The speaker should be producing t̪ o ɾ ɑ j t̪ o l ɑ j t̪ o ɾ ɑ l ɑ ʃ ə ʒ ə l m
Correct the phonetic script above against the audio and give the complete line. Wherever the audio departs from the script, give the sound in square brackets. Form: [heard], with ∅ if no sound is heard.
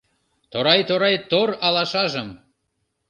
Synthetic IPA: t̪ o ɾ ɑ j t̪ o [ɾ] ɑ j t̪ o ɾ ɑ l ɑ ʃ [ɑ] ʒ ə [∅] m